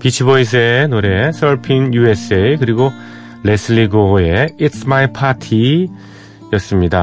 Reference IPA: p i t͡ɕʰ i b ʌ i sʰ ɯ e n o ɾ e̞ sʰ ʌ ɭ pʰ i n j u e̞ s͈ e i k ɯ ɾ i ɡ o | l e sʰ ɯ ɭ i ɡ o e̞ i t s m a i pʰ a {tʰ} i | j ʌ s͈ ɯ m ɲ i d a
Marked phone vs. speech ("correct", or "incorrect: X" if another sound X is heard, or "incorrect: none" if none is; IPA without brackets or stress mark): correct